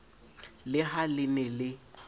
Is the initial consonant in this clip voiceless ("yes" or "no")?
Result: no